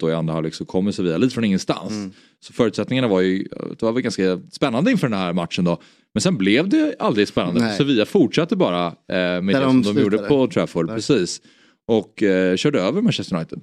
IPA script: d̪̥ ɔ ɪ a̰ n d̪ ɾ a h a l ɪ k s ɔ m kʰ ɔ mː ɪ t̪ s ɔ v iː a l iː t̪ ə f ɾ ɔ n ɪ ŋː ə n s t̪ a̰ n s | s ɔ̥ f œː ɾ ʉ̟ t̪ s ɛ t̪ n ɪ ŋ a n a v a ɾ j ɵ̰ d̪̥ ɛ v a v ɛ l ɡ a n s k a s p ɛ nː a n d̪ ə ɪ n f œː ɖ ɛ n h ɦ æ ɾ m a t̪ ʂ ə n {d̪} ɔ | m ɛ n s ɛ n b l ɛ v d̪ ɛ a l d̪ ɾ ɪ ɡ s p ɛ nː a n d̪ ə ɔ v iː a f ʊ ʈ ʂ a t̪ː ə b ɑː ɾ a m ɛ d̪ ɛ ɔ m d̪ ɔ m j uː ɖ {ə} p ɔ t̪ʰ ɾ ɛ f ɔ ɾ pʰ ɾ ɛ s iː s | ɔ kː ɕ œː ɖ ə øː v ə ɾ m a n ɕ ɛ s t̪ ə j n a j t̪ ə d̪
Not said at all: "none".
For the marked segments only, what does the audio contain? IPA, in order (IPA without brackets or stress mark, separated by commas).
d̪, ə